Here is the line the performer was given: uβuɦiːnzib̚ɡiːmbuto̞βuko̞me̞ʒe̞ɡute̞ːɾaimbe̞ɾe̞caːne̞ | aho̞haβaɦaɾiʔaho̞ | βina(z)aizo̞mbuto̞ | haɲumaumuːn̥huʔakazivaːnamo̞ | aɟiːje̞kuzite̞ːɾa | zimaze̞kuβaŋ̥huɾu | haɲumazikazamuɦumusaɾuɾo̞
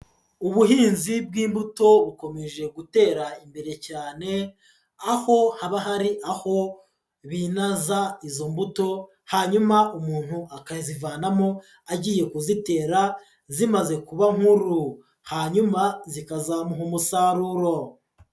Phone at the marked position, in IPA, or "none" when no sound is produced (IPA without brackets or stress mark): z